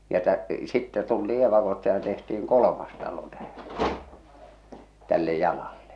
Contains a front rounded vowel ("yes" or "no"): no